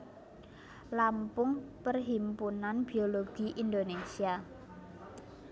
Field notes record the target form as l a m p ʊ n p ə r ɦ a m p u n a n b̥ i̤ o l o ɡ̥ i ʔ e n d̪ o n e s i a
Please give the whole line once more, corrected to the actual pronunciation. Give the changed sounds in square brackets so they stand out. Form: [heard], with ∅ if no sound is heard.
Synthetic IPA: l a m p ʊ [ŋ] p ə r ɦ [i] m p u n a n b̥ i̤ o l o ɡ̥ i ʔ [i] n d̪ o n e s i a